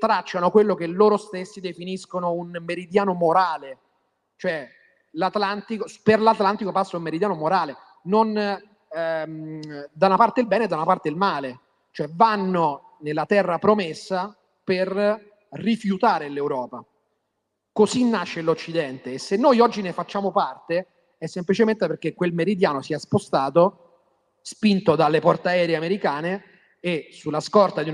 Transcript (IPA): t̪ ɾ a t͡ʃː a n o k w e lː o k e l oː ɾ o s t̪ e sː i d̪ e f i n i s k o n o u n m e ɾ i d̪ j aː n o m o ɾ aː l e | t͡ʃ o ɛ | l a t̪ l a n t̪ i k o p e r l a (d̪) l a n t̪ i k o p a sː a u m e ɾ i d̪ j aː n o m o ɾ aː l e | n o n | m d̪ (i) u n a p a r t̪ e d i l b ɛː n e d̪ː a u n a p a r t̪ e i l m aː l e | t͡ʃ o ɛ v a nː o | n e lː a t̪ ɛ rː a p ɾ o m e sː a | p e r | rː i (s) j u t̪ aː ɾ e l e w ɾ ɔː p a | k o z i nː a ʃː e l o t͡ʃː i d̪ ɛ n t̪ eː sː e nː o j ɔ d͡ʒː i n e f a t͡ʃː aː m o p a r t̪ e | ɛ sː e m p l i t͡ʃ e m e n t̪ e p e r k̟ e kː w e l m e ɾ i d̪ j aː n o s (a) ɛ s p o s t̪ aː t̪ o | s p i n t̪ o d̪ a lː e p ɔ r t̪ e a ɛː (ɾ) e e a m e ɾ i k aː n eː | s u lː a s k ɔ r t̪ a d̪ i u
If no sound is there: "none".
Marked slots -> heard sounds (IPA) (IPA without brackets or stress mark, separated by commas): t̪, a, f, i, ɾ